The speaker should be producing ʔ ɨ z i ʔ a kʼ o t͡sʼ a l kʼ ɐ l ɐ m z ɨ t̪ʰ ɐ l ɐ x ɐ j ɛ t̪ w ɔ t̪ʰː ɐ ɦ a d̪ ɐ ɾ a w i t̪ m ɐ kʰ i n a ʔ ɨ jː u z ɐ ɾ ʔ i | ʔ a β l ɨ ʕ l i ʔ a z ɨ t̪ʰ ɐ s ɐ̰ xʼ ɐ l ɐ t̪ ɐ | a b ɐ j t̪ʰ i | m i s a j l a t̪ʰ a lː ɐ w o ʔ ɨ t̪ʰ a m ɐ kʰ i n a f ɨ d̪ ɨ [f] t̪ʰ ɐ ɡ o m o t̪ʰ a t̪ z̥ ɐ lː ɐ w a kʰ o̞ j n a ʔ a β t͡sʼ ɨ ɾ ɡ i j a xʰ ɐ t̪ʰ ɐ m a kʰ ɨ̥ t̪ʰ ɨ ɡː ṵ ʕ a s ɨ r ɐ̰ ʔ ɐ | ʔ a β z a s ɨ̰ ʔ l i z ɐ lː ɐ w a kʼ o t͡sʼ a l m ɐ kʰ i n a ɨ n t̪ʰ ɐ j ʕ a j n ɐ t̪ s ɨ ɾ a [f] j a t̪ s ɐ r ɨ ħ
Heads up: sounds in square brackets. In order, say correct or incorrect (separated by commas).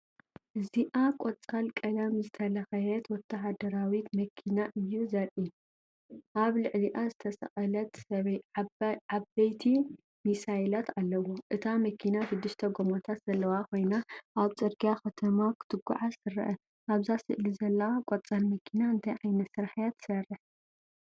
incorrect, incorrect